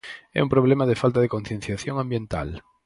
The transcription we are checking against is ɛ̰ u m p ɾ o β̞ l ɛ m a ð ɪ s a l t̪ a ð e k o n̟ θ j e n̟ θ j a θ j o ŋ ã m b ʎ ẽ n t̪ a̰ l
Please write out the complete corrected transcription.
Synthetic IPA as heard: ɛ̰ u m p ɾ o β̞ l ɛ m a ð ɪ f a l t̪ a ð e k o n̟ θ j e n̟ θ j a θ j o ŋ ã m b j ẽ n t̪ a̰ l